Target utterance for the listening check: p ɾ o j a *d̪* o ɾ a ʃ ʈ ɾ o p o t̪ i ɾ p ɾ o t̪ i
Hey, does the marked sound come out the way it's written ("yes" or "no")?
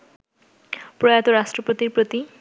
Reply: no